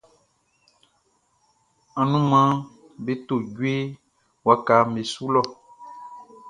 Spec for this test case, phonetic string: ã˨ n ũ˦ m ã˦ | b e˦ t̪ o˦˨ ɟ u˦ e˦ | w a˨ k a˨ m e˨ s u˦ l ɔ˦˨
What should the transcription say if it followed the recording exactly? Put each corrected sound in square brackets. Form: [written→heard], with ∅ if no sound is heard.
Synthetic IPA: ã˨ n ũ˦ m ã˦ | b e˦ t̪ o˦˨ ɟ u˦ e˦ | w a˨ k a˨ m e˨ s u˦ l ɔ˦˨